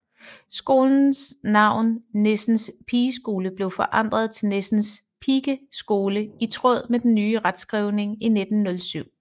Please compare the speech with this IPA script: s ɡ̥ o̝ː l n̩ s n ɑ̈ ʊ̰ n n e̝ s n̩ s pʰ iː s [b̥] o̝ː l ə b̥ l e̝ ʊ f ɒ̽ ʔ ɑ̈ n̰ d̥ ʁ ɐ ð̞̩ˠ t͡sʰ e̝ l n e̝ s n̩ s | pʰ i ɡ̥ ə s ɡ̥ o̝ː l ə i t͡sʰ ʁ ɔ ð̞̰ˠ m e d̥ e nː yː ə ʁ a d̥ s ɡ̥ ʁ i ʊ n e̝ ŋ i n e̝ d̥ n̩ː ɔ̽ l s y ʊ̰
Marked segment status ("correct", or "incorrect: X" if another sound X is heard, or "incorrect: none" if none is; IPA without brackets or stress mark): incorrect: ɡ̥